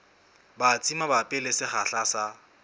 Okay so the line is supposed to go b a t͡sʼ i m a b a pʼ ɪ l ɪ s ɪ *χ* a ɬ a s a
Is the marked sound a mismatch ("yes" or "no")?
no